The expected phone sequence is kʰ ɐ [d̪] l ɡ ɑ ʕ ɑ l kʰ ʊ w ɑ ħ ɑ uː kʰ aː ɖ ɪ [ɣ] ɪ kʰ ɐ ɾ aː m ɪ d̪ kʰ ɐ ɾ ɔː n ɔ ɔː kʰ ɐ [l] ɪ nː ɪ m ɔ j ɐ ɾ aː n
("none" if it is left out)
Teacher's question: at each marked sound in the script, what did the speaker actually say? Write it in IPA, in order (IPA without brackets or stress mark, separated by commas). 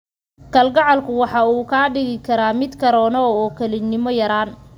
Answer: none, ɣ, l